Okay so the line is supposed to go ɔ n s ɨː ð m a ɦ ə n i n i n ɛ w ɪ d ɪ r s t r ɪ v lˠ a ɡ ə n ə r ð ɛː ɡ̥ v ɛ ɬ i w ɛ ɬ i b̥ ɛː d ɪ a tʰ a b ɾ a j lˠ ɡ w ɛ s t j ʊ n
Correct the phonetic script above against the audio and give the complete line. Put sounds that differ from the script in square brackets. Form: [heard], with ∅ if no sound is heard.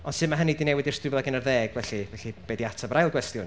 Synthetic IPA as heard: ɔ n s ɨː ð m a ɦ ə n i [d] i n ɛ w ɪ d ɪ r s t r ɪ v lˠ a ɡ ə n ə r ð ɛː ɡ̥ v ɛ ɬ i [v] ɛ ɬ i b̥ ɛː d [i] a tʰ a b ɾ a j lˠ ɡ w ɛ s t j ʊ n